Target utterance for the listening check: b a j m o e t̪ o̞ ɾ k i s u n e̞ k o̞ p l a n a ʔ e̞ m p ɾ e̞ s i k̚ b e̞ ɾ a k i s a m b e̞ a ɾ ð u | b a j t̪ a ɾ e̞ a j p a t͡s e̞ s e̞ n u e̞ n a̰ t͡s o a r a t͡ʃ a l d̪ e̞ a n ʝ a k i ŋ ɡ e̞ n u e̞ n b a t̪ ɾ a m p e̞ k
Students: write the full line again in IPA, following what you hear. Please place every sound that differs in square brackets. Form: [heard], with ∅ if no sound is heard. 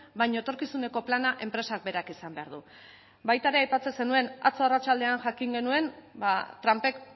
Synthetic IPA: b a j [ɲ] o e t̪ o̞ ɾ k i s u n e̞ k o̞ p l a n a ʔ e̞ m p ɾ e̞ s [a] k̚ b e̞ ɾ a k i s a m b e̞ a ɾ ð u | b a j t̪ a ɾ e̞ a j p a t͡s e̞ s e̞ n u e̞ n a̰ t͡s o a r a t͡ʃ a l d̪ e̞ a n ʝ a k i ŋ ɡ e̞ n u e̞ n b a t̪ ɾ a m p e̞ k